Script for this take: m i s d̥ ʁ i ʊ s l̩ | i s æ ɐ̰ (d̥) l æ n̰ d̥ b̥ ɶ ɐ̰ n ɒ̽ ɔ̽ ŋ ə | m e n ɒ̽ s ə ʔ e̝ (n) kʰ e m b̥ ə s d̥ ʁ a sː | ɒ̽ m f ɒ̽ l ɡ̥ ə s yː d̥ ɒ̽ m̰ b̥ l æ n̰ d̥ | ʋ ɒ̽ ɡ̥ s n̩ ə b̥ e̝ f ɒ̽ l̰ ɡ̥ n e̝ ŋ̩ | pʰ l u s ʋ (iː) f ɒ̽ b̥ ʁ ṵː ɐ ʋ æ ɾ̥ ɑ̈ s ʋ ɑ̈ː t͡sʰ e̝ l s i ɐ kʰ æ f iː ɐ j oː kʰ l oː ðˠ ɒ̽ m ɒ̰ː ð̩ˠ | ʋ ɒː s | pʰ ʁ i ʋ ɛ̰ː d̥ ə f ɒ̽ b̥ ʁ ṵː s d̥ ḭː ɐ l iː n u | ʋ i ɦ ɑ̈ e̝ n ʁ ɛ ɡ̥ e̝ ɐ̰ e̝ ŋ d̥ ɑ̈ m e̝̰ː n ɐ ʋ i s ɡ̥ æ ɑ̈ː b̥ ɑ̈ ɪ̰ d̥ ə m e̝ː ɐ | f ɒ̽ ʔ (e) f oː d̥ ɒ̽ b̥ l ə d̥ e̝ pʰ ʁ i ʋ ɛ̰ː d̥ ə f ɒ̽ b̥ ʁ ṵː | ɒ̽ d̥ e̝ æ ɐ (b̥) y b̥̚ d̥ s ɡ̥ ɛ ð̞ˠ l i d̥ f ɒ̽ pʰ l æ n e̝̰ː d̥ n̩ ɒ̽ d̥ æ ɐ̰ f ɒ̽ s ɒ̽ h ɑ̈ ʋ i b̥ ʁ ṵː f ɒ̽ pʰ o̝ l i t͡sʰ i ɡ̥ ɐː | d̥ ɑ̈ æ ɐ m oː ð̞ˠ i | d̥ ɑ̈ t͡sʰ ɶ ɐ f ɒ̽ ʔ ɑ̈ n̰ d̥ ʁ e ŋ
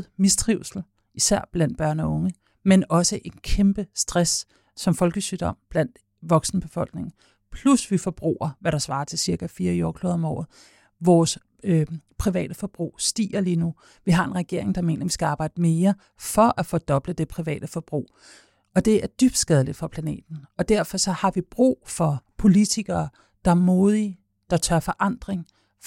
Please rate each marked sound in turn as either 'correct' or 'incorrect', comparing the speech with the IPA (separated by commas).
incorrect, correct, incorrect, incorrect, incorrect